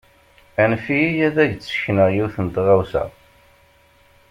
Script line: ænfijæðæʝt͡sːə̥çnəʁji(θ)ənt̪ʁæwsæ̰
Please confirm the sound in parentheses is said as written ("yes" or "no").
yes